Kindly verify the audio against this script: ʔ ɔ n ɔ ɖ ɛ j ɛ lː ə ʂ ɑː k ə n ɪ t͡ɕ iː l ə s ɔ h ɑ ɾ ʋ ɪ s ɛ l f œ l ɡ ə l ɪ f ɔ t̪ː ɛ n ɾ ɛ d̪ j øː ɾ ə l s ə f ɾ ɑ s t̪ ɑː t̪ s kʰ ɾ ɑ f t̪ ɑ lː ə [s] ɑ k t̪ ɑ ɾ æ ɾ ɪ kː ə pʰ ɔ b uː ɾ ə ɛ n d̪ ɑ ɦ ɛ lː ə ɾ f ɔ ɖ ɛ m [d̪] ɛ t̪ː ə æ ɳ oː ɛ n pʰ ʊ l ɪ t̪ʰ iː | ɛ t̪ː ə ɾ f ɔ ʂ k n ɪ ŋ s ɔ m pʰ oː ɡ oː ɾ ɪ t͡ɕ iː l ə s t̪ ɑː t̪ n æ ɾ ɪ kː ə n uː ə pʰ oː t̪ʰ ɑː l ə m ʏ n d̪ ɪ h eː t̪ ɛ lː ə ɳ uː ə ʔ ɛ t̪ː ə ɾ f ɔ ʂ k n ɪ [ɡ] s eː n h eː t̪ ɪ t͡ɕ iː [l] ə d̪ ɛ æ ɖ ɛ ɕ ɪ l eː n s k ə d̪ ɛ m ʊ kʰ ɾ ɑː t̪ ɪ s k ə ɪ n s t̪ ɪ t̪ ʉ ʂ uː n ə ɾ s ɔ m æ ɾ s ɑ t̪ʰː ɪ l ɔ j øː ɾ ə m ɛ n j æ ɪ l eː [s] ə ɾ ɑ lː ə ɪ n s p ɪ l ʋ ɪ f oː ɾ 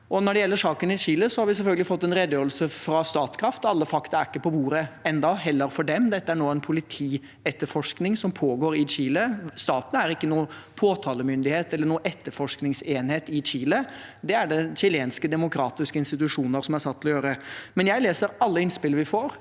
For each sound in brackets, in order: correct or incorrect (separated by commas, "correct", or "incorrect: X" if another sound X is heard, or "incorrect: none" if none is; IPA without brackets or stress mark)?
incorrect: f, correct, incorrect: ŋ, correct, correct